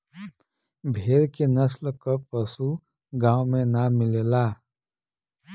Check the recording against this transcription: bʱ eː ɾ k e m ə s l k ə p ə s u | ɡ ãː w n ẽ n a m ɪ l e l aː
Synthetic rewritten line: bʱ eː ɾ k e n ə s l k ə p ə s u | ɡ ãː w m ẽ n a m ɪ l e l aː

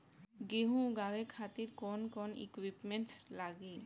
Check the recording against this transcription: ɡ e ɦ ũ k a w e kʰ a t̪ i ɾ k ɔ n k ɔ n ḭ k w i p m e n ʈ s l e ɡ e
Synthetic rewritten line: ɡ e ɦ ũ ɡ a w e kʰ a t̪ i ɾ k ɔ n k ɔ n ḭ k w i p m e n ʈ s l a ɡ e

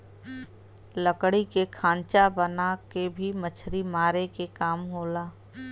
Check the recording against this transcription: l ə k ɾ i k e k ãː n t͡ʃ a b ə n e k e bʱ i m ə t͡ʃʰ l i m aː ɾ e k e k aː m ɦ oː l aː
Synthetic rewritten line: l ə k ɽ i k e kʰ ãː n t͡ʃ a b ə n a k e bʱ i m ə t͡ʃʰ ɾ i m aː ɾ e k e k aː m ɦ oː l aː

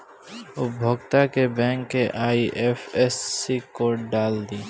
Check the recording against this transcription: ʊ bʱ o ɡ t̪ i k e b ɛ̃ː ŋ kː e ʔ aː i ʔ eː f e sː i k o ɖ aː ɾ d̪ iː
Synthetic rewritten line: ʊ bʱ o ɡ t̪ a k e b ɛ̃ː ŋ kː e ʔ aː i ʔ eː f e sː i k o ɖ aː l d̪ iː

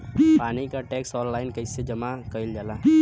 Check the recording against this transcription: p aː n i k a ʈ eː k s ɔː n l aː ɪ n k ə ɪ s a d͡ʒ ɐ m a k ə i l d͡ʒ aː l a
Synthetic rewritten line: p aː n i k a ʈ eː k s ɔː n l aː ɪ n k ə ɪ s e d͡ʒ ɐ m a k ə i l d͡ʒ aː l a

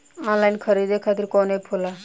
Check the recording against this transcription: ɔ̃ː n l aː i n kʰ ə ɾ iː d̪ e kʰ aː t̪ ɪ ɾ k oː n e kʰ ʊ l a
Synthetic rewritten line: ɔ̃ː n l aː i n kʰ ə ɾ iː d̪ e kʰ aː t̪ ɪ ɾ k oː n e pʰ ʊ l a

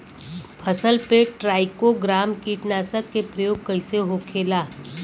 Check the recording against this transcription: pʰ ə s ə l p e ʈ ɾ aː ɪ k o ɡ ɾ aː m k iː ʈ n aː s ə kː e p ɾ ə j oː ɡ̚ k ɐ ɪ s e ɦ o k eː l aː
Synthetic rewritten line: pʰ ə s ə l p e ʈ ɾ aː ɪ k o ɡ ɾ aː m k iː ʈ n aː s ə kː e p ɾ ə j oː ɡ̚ k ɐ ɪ s e ɦ o kʰ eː l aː

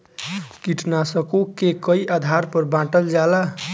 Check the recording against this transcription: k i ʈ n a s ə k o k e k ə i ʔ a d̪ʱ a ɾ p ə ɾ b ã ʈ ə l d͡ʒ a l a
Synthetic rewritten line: k i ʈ n a s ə k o k e k ə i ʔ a d̪ʱ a ɾ p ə ɾ b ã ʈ ə l d͡ʒ a l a

